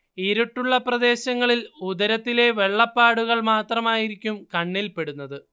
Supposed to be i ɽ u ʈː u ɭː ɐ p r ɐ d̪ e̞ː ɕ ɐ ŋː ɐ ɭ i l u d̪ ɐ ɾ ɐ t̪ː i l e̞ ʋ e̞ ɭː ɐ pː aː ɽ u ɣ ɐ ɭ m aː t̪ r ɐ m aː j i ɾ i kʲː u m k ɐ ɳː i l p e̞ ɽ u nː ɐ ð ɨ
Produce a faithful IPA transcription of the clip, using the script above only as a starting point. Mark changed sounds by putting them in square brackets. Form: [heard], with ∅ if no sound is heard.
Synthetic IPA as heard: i [ɾ] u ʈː u ɭː ɐ p r ɐ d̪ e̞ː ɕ ɐ ŋː ɐ ɭ i l u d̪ ɐ ɾ ɐ t̪ː i l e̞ ʋ e̞ ɭː ɐ pː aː ɽ u ɣ ɐ ɭ m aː t̪ r ɐ m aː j i ɾ i kʲː u m k ɐ ɳː i l p e̞ ɽ u nː ɐ ð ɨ